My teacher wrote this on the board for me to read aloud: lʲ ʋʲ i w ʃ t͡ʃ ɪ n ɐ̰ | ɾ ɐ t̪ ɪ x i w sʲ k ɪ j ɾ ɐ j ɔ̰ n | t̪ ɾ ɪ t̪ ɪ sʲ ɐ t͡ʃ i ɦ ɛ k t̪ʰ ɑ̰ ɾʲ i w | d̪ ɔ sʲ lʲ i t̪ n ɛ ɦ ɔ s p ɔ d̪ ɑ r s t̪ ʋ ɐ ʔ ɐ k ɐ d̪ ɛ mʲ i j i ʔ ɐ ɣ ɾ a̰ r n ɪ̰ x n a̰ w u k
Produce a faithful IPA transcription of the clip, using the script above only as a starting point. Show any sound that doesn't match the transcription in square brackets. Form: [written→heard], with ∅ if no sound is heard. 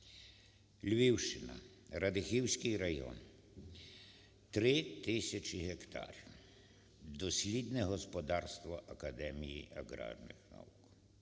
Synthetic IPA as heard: lʲ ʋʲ i w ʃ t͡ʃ ɪ n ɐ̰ | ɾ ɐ [t̪→d̪] ɪ x i w sʲ k ɪ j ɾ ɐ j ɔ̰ n | t̪ ɾ ɪ t̪ ɪ sʲ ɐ t͡ʃ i ɦ ɛ k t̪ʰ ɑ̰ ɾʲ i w | d̪ ɔ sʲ lʲ i [t̪→d̪] n ɛ ɦ ɔ s p ɔ d̪ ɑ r s t̪ ʋ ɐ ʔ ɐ k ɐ d̪ ɛ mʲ i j i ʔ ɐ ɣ ɾ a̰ r n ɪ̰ x n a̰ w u k

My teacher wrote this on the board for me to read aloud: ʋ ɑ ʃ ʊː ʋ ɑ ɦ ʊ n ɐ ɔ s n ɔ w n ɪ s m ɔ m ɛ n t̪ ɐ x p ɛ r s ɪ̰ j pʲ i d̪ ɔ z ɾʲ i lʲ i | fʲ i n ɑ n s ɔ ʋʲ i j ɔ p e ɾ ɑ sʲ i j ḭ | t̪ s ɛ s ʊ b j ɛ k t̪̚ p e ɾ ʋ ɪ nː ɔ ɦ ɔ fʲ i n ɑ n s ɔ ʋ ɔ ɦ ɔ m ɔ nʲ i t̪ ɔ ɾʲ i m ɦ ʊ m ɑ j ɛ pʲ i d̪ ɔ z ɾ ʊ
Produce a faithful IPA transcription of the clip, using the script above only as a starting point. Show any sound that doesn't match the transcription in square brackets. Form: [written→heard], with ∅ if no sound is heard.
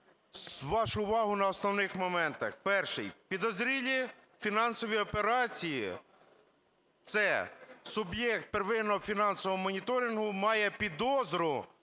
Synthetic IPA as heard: ʋ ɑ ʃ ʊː ʋ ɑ ɦ ʊ n ɐ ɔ s n ɔ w n ɪ [s→x] m ɔ m ɛ n t̪ ɐ x p ɛ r [s→ʃ] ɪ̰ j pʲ i d̪ ɔ z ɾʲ i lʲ i | fʲ i n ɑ n s ɔ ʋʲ i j ɔ p e ɾ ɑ [sʲ→t͡sʲ] i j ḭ | t̪ s ɛ s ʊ b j ɛ k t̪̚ p e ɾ ʋ ɪ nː ɔ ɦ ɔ fʲ i n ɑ n s ɔ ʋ ɔ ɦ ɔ m ɔ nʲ i t̪ ɔ ɾʲ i [m→n] ɦ ʊ m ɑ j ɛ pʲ i d̪ ɔ z ɾ ʊ

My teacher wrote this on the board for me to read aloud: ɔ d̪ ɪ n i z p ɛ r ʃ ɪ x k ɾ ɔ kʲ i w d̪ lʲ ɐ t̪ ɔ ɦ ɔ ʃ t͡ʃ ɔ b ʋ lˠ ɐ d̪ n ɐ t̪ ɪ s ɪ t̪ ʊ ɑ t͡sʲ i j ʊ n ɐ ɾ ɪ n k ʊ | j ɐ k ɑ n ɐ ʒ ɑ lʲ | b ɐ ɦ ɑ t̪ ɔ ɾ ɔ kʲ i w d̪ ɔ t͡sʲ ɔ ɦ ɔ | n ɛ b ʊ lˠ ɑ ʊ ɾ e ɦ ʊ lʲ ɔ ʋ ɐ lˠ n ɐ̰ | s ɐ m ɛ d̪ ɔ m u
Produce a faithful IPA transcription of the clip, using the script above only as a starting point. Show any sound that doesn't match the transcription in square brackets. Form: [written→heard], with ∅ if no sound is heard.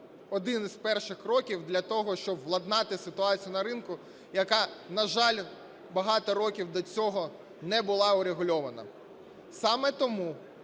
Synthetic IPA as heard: ɔ d̪ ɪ n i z p ɛ r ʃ ɪ x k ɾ ɔ kʲ i w d̪ lʲ ɐ t̪ ɔ ɦ ɔ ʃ t͡ʃ ɔ b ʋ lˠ ɐ d̪ n [ɐ→ɑ] t̪ ɪ s ɪ t̪ ʊ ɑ t͡sʲ i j ʊ n ɐ ɾ ɪ n k ʊ | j ɐ k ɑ n ɐ ʒ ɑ lʲ | b ɐ ɦ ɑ t̪ ɔ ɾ ɔ kʲ i w d̪ ɔ t͡sʲ ɔ ɦ ɔ | n ɛ b ʊ lˠ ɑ ʊ ɾ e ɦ ʊ lʲ ɔ ʋ ɐ [lˠ→∅] n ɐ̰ | s [ɐ→ɑ] m ɛ [d̪→t̪] ɔ m u

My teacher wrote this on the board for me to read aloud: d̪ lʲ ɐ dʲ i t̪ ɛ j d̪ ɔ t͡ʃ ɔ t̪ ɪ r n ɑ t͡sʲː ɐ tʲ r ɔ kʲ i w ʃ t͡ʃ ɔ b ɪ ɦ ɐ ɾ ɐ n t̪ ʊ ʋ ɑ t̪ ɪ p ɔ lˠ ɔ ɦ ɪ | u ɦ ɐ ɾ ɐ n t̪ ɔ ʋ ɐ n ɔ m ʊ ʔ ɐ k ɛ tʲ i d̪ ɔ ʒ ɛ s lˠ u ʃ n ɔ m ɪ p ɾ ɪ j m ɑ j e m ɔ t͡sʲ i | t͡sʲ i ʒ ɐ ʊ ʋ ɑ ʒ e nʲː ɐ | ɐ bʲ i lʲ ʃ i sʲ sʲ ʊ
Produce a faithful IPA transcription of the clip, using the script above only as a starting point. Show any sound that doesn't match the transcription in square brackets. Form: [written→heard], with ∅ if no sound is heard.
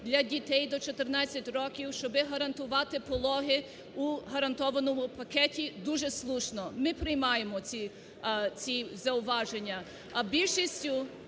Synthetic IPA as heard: d̪ lʲ ɐ dʲ i t̪ ɛ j d̪ ɔ t͡ʃ ɔ t̪ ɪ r n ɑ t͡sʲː ɐ tʲ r ɔ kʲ i w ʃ t͡ʃ ɔ b ɪ ɦ ɐ ɾ ɐ n t̪ ʊ ʋ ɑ t̪ ɪ p ɔ lˠ ɔ ɦ ɪ | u ɦ ɐ ɾ ɐ n t̪ ɔ ʋ ɐ n ɔ m ʊ [ʔ→p] ɐ k ɛ tʲ i d̪ [ɔ→u] ʒ ɛ s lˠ u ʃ n ɔ m ɪ p ɾ ɪ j m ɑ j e m ɔ t͡sʲ i | t͡sʲ i [ʒ→z] ɐ ʊ ʋ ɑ ʒ e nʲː ɐ | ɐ bʲ i lʲ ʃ i sʲ [sʲ→tʲ] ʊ

